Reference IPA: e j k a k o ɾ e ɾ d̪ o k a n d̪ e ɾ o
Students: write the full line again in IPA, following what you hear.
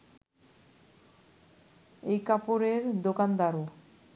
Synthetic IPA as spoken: e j k a p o ɾ e ɾ d̪ o k a n d̪ a ɾ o